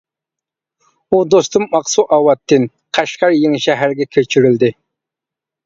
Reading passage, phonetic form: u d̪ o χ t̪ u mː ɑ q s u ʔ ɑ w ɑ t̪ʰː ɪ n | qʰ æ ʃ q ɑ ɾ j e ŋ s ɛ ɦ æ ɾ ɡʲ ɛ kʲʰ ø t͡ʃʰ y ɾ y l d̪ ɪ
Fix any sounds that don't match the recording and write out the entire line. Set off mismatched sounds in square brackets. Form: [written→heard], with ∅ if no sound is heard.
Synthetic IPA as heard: u d̪ o [χ→s] t̪ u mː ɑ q s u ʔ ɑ w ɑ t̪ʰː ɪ n | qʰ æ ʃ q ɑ ɾ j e ŋ [s→ʃ] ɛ ɦ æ ɾ ɡʲ ɛ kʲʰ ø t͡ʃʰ y ɾ y l d̪ ɪ